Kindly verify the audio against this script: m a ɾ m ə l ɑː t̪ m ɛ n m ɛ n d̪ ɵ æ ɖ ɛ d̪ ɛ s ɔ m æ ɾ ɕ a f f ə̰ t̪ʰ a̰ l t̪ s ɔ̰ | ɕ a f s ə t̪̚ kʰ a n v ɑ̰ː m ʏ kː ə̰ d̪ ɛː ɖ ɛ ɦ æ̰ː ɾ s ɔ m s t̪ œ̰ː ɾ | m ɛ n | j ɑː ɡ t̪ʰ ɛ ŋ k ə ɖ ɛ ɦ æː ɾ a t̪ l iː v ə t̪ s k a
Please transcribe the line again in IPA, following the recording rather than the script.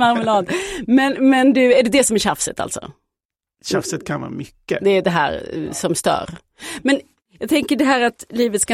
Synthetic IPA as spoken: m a ɾ m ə l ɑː d̪ m ɛ n m ɛ n d̪ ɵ æ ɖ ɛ d̪ ɛ s ɔ m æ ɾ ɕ a f s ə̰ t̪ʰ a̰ l t̪ s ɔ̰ | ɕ a f s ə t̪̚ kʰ a n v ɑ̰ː m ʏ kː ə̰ d̪ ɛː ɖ ɛ ɦ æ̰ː ɾ s ɔ m s t̪ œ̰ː ɾ | m ɛ n | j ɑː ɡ t̪ʰ ɛ ŋ k ə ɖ ɛ ɦ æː ɾ a t̪ l iː v ə t̪ s k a